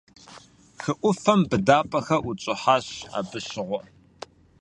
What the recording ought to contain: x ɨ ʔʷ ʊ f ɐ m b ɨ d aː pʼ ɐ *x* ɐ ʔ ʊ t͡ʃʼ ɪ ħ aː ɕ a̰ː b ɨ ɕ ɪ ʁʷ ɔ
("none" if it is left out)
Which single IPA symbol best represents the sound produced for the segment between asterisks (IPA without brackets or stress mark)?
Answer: x